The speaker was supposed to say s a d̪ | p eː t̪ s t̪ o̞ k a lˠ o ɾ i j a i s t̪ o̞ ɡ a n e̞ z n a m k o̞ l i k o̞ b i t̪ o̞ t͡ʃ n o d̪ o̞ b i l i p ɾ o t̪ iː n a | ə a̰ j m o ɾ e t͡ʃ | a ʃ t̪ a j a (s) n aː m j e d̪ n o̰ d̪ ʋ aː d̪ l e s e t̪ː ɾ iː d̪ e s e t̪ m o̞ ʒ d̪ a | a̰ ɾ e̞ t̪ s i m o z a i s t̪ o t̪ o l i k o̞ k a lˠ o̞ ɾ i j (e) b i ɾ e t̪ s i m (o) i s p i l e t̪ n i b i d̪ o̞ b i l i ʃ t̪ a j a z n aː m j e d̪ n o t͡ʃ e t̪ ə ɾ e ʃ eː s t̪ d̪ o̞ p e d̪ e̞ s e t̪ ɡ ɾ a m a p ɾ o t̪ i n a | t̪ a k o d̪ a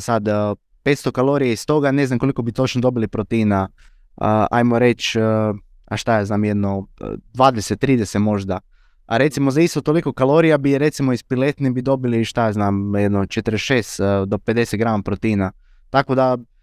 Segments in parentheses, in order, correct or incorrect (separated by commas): incorrect, incorrect, correct